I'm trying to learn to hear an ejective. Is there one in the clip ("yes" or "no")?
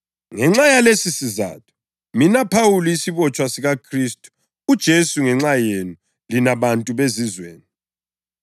yes